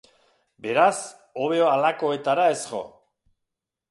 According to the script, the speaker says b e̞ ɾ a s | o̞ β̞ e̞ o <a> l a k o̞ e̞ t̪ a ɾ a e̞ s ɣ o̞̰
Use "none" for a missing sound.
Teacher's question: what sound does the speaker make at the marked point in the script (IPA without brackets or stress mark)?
a